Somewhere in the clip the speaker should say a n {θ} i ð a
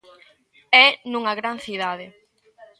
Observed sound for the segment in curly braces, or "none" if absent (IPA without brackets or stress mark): θ